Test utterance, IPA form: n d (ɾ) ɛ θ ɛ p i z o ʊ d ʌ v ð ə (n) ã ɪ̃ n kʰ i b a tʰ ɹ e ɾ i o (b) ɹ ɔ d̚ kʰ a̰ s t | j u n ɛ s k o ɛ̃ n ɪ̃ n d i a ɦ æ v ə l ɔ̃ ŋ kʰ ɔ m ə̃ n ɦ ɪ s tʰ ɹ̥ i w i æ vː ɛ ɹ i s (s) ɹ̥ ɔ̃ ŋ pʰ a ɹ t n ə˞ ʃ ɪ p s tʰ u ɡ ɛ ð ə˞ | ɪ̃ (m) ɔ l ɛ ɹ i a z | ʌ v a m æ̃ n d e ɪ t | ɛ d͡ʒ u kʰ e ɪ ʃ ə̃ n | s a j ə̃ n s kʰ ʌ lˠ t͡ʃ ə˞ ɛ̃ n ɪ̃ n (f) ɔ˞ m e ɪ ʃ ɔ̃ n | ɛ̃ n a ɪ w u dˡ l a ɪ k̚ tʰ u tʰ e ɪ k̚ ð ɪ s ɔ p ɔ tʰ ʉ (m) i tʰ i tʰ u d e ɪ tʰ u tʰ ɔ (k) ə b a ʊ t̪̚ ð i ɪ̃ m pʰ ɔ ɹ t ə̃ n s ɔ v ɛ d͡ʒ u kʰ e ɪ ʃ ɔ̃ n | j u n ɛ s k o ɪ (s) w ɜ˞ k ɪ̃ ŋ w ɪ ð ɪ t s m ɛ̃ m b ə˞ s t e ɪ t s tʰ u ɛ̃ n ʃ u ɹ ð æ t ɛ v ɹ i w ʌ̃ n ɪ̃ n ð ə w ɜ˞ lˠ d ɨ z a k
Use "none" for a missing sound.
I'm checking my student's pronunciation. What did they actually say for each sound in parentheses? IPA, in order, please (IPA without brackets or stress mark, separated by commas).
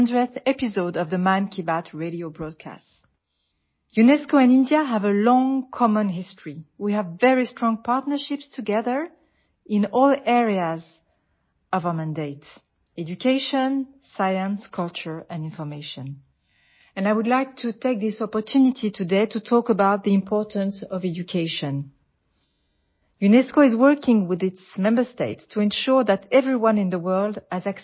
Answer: ɹ, m, b, t, n, f, n, k, z